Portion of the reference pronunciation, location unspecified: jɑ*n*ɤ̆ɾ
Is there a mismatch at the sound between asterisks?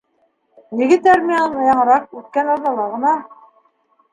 yes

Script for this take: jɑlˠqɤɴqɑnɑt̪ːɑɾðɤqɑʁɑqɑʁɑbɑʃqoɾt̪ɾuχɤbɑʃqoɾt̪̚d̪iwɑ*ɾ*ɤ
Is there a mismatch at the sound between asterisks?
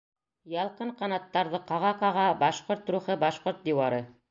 no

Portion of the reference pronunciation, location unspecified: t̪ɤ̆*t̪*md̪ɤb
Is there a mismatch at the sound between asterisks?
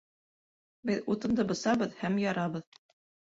yes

